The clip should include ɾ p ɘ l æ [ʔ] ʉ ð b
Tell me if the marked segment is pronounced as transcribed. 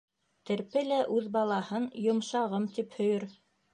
yes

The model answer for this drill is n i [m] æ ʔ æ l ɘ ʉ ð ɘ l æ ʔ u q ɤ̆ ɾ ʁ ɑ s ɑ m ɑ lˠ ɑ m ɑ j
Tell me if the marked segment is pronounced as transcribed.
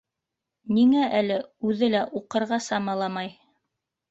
no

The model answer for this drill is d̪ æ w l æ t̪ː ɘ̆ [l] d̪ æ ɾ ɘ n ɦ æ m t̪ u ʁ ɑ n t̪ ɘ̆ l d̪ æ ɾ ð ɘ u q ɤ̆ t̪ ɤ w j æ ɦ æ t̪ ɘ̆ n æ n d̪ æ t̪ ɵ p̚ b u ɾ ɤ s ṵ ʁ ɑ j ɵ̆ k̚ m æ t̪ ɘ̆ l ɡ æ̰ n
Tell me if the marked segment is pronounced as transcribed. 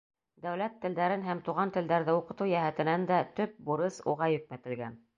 yes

